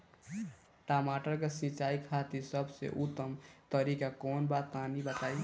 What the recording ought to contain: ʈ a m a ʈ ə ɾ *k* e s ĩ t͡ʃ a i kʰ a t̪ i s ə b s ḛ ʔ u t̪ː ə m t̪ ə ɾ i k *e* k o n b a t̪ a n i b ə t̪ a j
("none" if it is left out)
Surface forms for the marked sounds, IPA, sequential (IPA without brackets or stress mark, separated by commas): k, a